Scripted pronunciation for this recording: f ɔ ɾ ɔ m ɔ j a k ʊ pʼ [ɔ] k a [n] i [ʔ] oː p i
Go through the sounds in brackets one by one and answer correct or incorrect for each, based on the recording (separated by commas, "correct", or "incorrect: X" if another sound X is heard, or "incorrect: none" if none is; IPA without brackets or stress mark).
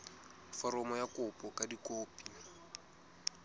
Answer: correct, incorrect: d, incorrect: k